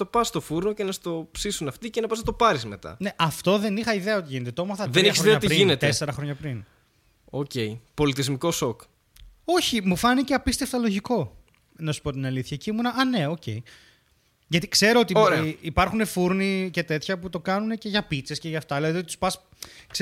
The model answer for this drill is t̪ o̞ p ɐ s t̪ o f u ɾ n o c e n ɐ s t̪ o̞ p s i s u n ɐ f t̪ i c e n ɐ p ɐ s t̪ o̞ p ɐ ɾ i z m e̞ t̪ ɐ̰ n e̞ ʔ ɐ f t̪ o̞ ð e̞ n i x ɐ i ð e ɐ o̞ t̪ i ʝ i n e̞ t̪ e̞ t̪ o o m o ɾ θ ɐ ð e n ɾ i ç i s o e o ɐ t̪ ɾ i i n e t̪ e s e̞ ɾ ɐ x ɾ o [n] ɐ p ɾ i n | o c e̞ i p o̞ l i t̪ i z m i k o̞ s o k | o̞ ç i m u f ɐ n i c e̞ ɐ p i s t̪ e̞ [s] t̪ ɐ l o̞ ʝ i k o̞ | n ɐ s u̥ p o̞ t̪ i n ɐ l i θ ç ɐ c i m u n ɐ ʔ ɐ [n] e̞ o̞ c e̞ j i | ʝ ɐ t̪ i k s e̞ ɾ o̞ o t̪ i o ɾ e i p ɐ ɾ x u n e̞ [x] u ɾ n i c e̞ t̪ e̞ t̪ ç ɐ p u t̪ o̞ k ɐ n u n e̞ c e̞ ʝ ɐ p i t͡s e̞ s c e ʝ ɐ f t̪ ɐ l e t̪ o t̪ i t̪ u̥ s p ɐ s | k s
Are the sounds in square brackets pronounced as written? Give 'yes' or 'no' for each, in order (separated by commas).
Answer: no, no, yes, no